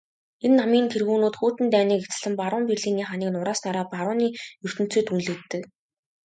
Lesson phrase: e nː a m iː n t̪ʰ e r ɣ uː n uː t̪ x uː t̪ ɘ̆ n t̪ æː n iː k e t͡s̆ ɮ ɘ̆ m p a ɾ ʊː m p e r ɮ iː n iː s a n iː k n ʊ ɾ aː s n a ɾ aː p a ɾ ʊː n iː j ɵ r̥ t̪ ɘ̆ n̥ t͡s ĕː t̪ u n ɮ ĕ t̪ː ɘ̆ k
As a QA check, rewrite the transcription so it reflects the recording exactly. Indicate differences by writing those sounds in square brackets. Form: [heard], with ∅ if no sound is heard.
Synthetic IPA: e nː a m iː n t̪ʰ e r ɣ uː n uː t̪ x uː t̪ ɘ̆ n t̪ æː n iː k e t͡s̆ ɮ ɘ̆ m p a ɾ ʊː m p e r ɮ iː n iː [χ] a n iː k n ʊ ɾ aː s n a ɾ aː p a ɾ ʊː n iː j ɵ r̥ t̪ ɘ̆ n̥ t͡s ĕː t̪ u n ɮ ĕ t̪ː ɘ̆ k

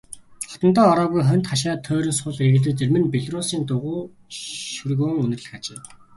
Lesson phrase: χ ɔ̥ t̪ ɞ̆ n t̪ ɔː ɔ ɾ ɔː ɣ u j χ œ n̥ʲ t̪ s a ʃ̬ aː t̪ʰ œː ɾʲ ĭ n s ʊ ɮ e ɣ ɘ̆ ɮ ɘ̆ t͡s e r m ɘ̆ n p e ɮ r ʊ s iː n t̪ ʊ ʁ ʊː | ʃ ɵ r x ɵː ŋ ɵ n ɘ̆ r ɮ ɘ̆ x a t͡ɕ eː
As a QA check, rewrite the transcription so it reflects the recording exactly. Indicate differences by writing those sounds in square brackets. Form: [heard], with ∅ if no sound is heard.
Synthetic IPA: χ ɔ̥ t̪ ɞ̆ n t̪ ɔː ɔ ɾ ɔː ɣ u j χ œ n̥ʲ t̪ [χ] a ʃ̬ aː t̪ʰ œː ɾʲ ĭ n s ʊ ɮ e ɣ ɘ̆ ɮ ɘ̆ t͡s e r m ɘ̆ n p e ɮ r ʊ s iː n t̪ ʊ ʁ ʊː | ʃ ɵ r [ɣ] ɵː ŋ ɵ n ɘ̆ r ɮ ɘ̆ x a t͡ɕ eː

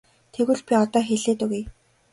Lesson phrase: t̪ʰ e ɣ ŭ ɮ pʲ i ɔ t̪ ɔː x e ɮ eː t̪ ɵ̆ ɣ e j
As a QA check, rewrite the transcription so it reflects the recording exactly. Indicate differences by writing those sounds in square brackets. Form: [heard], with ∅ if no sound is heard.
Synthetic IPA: t̪ʰ e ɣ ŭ ɮ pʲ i ɔ t̪ ɔː x e ɮ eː t̪ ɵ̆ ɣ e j

